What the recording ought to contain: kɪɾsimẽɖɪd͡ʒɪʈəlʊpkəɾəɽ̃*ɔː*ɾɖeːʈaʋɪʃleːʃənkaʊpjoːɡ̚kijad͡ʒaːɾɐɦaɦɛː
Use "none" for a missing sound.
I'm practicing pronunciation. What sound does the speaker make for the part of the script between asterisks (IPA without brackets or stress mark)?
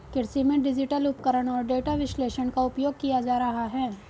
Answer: ɔː